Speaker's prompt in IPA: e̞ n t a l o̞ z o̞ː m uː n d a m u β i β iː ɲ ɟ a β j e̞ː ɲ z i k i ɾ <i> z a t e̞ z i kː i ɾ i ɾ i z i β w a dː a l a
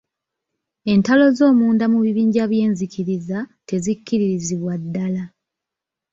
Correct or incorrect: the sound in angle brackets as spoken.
correct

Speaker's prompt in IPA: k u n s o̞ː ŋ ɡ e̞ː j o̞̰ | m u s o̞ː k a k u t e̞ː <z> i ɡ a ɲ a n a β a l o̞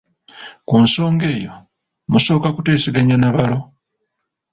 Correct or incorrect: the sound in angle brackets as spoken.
incorrect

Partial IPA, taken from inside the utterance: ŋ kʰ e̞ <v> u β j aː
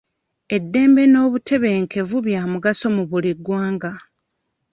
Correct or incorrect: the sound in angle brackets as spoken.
correct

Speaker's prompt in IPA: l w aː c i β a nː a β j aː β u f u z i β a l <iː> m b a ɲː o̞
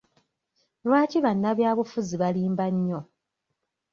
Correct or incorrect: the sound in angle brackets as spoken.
correct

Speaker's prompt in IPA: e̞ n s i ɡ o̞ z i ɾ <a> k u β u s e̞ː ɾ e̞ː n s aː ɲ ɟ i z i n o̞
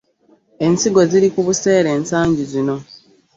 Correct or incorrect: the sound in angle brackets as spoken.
incorrect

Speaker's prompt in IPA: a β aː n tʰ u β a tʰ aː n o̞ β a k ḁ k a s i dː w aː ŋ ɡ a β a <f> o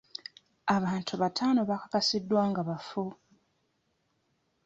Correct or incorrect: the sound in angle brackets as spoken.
correct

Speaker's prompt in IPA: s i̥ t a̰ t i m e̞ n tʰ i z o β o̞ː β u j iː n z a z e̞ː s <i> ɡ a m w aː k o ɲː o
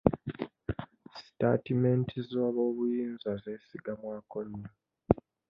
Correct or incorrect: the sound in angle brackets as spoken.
correct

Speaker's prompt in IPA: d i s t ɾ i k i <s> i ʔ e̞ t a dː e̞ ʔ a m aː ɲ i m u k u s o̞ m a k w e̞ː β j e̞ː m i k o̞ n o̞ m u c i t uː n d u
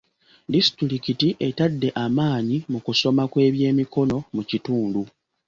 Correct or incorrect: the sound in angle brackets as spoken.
incorrect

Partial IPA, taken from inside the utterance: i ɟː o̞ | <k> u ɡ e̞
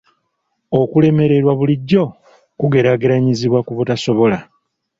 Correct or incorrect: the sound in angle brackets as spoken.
correct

